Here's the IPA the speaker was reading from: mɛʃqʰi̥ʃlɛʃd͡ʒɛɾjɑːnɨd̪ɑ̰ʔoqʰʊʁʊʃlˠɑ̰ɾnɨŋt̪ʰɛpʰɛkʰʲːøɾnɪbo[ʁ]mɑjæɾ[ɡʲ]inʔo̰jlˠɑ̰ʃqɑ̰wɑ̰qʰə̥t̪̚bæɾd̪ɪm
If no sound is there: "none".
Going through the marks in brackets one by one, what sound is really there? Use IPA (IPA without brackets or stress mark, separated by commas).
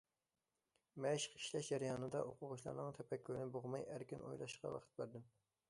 ʁ, kʲ